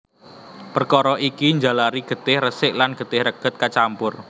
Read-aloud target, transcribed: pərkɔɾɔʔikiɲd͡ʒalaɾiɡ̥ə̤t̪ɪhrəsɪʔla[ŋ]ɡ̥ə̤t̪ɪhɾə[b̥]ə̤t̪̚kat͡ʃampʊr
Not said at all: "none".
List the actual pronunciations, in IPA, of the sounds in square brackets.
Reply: n, ɡ̥

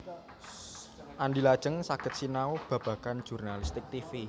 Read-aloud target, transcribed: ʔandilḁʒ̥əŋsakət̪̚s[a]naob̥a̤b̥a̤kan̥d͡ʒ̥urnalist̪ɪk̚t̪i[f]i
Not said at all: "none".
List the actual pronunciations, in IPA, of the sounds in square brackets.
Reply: i, f

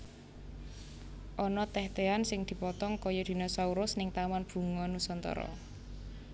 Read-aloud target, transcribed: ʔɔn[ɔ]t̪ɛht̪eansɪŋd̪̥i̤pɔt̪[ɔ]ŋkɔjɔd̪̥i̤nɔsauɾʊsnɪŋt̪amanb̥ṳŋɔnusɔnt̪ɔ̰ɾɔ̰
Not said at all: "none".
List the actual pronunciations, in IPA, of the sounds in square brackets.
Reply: ɔ, ɔ

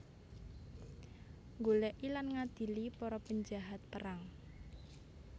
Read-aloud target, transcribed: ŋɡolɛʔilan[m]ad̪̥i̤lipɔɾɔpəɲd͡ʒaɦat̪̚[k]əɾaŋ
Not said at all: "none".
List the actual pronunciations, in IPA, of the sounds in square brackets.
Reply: ŋ, p

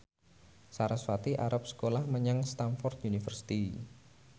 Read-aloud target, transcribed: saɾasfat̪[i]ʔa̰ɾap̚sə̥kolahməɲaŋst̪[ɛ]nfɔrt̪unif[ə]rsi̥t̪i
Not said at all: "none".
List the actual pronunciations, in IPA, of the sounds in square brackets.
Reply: i, a, ə

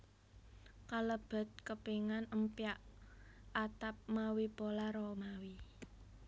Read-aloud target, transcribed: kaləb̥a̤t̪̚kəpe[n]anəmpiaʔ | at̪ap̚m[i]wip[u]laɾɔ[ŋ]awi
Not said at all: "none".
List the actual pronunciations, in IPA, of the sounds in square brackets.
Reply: ŋ, a, o, m

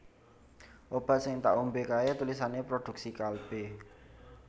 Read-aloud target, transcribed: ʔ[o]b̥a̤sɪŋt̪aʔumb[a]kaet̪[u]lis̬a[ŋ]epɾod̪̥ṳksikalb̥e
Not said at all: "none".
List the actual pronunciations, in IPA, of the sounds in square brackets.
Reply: o, e, u, n

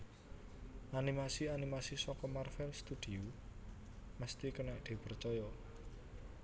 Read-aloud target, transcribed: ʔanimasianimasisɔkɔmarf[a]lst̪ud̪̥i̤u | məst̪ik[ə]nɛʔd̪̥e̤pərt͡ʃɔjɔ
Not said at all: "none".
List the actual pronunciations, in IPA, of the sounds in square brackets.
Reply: ɛ, ə

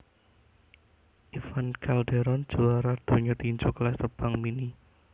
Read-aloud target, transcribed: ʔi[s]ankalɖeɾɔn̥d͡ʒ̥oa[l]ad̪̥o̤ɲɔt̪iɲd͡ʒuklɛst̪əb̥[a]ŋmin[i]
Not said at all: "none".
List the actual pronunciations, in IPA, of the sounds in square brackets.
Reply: f, ɾ, a, i

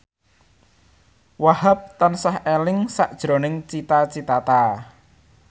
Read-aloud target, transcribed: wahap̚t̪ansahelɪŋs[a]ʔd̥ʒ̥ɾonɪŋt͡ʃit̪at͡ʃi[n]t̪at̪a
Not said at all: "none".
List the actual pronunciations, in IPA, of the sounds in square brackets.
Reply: a, none

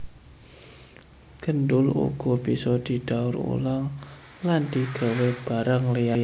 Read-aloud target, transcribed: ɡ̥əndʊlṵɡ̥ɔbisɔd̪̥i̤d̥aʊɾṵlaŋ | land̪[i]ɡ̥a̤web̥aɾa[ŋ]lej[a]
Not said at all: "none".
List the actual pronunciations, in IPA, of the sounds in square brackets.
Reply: i, ŋ, a

